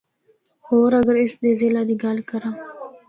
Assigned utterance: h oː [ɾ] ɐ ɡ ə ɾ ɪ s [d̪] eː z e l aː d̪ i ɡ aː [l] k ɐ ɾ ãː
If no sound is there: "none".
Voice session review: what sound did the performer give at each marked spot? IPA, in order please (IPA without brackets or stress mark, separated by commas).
ɾ, d̪, l